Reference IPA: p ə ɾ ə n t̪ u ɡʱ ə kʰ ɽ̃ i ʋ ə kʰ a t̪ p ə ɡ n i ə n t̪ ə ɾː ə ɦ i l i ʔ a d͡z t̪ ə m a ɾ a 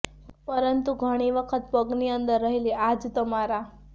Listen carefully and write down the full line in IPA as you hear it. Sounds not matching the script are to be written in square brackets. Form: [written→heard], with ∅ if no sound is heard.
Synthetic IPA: p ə ɾ ə n t̪ u ɡʱ ə [kʰ→∅] ɽ̃ i ʋ ə kʰ [a→ə] t̪ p ə ɡ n i ə n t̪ ə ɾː ə ɦ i l i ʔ a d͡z t̪ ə m a ɾ a